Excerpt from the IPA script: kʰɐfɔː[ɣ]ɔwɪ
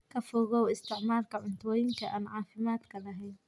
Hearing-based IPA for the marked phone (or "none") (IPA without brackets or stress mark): ɣ